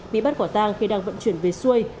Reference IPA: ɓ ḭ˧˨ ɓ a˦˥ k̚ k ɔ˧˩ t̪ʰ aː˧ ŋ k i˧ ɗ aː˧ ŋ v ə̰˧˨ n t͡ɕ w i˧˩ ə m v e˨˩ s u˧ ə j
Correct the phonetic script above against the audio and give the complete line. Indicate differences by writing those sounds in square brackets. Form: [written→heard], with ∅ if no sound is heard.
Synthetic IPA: ɓ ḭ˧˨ ɓ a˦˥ [k̚→t̚] k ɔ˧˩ [t̪ʰ→t̪] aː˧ ŋ [k→x] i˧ ɗ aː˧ ŋ v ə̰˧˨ n t͡ɕ w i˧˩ ə [m→n] v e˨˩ s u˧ ə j